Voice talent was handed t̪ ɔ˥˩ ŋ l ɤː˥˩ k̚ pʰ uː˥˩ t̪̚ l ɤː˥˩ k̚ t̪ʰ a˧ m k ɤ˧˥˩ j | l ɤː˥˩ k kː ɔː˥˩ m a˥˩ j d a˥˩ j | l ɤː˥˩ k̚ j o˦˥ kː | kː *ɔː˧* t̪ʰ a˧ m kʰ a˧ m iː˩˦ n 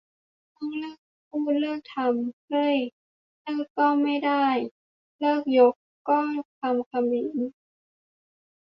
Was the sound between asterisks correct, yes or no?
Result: no